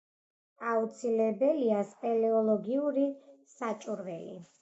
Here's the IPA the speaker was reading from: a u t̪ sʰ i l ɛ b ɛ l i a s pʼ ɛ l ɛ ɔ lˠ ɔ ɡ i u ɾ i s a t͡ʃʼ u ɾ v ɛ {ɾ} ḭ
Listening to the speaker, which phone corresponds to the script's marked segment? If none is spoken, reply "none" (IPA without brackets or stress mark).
l